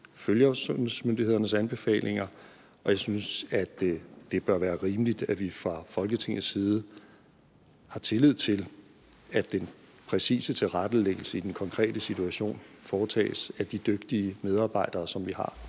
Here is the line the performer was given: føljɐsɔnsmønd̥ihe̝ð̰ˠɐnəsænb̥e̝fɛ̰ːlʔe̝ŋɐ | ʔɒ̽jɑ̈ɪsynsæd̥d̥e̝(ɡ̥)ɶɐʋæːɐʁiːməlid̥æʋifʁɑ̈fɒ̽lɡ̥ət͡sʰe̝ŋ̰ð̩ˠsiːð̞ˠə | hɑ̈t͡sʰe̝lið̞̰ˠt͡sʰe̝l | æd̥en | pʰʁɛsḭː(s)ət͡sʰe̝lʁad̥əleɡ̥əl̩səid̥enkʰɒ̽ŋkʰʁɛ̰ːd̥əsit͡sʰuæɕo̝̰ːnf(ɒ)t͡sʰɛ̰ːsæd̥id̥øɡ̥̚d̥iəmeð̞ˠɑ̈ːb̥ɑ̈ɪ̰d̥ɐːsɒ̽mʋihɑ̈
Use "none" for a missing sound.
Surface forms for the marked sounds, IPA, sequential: b̥, s, ɒː

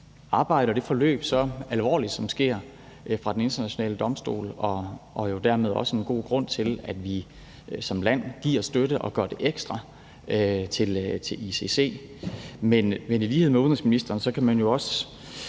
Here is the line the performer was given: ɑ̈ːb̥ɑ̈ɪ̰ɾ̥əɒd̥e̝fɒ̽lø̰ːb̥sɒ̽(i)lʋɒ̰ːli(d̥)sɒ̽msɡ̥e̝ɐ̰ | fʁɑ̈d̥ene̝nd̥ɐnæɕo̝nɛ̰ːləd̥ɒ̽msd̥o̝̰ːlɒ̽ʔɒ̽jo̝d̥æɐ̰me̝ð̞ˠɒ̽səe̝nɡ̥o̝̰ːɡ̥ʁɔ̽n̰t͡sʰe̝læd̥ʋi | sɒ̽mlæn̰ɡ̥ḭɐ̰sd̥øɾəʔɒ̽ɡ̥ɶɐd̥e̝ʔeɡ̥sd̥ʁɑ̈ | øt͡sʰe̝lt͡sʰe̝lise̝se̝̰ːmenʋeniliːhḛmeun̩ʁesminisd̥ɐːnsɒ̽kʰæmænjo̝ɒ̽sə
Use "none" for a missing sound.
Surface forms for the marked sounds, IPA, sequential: æ, d̥

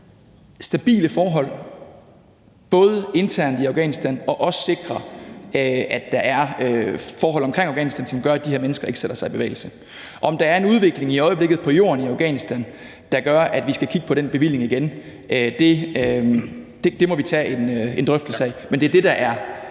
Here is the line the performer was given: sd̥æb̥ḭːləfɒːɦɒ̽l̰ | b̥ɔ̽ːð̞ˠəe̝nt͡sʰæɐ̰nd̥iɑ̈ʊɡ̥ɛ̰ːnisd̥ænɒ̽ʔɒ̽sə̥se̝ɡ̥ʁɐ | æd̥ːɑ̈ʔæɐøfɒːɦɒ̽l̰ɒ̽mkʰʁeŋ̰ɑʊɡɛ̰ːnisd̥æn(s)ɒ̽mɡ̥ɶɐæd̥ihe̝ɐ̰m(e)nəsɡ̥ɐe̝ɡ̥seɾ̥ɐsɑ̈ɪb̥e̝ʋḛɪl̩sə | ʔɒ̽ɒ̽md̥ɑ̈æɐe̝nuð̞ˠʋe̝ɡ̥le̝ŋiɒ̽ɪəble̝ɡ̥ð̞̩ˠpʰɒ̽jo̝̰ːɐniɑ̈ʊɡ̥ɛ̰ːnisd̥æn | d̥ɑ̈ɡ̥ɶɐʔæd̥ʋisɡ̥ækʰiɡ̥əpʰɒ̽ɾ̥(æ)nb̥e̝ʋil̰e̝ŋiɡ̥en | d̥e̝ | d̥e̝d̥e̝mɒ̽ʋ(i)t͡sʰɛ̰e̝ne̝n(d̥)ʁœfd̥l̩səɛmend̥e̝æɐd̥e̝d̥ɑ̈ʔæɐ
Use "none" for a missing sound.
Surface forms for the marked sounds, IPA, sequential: s, e, e, i, d̥

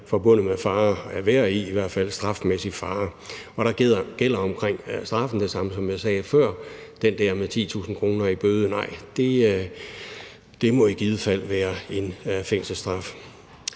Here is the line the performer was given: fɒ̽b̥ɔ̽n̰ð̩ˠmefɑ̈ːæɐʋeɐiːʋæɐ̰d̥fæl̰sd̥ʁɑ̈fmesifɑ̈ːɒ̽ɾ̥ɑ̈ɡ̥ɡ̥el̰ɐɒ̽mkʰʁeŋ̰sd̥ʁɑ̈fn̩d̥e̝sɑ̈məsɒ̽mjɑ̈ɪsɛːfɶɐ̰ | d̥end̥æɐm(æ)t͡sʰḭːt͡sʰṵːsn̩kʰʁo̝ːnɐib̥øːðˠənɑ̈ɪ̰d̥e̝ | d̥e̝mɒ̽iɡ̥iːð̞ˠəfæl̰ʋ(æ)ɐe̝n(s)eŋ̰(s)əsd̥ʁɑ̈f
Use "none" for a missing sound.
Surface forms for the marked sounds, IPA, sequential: e, æː, f, s

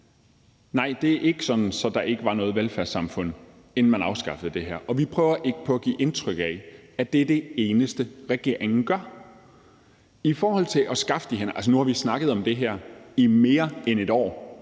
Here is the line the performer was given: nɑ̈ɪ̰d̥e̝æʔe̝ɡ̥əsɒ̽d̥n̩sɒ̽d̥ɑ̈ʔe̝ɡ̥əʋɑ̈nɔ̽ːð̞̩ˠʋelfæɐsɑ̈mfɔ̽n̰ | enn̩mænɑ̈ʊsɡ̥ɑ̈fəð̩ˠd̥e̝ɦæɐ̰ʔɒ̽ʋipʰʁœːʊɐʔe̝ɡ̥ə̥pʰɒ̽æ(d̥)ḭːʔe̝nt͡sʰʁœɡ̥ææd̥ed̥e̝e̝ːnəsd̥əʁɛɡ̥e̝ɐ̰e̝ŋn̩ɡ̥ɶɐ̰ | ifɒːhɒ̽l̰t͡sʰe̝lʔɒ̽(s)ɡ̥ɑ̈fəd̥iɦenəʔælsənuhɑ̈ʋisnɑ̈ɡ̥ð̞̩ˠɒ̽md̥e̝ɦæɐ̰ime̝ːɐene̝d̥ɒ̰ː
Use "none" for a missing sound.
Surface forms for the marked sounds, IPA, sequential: ɡ̥, s

